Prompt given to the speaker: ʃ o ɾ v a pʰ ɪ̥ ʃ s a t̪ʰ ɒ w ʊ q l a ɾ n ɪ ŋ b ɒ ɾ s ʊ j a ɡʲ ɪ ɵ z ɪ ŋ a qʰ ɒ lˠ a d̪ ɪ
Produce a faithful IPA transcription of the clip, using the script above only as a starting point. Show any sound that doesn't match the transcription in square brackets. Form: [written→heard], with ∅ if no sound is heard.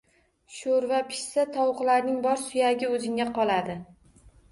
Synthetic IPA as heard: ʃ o ɾ v a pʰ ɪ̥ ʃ s a t̪ʰ ɒ w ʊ q l a ɾ n ɪ ŋ b ɒ ɾ s ʊ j a ɡʲ ɪ ɵ z ɪ ŋ a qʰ ɒ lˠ a d̪ ɪ

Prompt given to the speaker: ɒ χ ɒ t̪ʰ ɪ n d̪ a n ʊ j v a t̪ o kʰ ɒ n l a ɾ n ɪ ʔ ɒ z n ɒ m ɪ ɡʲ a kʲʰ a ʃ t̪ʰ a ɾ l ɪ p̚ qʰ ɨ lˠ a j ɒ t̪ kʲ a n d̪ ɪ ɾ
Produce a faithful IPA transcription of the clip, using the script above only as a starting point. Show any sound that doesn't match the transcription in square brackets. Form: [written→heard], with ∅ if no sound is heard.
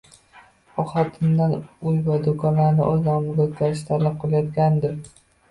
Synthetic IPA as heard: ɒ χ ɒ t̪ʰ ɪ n d̪ a n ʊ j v a [t̪→d̪] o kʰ ɒ n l a ɾ n ɪ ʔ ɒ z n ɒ m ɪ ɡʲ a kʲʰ a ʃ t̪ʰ a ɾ l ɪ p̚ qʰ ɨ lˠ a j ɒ t̪ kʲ a n d̪ ɪ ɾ

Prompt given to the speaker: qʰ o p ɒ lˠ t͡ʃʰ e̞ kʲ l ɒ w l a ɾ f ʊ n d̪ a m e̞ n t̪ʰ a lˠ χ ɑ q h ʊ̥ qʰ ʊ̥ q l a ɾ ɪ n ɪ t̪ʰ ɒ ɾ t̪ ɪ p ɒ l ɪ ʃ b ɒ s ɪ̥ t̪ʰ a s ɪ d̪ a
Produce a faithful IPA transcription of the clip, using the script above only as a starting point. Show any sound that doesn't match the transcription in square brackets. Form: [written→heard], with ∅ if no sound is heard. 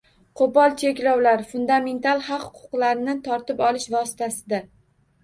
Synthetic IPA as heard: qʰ o p ɒ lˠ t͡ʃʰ e̞ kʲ l ɒ w l a ɾ f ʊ n d̪ a m e̞ n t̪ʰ a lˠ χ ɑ q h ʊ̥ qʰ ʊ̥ q l a ɾ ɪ n ɪ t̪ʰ ɒ ɾ t̪ ɪ p ɒ l ɪ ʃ [b→v] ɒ s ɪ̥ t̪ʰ a s ɪ d̪ a

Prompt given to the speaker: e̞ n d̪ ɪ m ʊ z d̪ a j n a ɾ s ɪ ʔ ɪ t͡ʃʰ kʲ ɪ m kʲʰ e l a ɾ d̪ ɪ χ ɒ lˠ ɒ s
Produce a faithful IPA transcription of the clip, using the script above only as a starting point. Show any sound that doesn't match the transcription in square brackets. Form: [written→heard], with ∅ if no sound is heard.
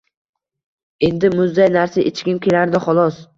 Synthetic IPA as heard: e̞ n d̪ ɪ m ʊ z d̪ a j n a ɾ s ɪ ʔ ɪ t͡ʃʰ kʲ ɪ m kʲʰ e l a ɾ d̪ ɪ χ ɒ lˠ ɒ s

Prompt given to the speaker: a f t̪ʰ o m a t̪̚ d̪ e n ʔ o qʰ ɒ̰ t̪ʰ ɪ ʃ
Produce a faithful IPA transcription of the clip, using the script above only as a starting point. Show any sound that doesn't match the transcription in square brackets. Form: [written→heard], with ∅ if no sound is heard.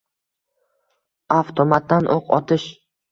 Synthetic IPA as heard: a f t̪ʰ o m a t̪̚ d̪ [e→a] n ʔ o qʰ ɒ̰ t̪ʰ ɪ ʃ

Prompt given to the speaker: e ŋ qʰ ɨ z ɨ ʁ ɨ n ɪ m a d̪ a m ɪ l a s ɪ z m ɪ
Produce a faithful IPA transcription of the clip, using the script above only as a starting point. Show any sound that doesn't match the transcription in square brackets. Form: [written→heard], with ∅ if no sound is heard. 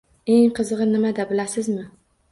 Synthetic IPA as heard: e ŋ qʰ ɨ z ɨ ʁ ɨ n ɪ m a d̪ a [m→b] ɪ l a s ɪ z m ɪ

